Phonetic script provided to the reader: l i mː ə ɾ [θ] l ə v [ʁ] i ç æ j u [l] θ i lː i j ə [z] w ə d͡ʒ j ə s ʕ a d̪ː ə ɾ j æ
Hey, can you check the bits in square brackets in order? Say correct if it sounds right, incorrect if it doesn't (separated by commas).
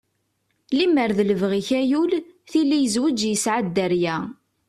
incorrect, correct, correct, correct